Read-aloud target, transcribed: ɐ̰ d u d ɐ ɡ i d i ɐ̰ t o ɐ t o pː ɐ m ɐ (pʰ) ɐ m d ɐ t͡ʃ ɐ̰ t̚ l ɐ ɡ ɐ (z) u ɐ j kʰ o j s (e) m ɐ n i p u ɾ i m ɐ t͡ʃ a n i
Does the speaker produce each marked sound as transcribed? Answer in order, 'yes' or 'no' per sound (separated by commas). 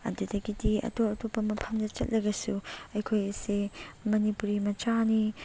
yes, no, yes